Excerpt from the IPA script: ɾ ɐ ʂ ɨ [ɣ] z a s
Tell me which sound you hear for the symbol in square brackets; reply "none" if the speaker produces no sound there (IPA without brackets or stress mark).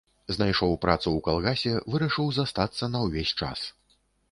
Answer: w